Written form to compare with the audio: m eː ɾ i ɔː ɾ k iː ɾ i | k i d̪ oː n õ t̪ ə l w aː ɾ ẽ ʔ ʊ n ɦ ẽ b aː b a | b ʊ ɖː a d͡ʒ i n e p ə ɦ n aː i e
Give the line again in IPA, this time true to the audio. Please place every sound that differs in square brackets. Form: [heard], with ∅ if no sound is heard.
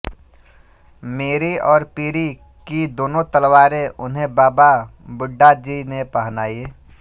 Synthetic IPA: m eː ɾ i ɔː ɾ [p] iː ɾ i | k i d̪ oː n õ t̪ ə l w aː ɾ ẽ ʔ ʊ n ɦ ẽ b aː b a | b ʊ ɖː a d͡ʒ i n e p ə ɦ n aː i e